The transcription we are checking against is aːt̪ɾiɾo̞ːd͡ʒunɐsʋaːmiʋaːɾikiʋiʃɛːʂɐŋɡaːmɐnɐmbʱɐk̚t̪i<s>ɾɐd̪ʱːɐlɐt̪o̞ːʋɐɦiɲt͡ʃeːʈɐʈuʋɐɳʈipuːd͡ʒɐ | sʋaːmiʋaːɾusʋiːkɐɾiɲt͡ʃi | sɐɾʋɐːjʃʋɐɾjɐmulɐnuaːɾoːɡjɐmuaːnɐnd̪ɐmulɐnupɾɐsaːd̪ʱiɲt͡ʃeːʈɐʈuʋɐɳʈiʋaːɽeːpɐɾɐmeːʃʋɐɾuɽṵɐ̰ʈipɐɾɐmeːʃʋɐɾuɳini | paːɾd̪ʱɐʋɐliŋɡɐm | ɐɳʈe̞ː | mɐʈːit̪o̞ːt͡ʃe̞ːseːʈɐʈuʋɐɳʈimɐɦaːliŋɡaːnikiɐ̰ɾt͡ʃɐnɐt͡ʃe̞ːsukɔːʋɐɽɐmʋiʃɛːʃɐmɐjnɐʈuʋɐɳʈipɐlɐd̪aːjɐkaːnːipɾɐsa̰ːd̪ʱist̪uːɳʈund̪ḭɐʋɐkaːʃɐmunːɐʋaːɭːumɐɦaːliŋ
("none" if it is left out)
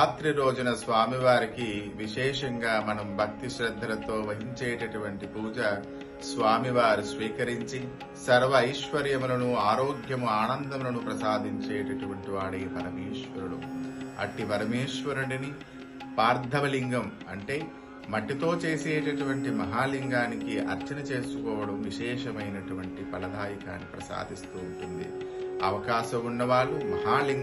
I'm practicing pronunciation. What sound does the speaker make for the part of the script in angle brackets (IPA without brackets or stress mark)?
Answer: ʃ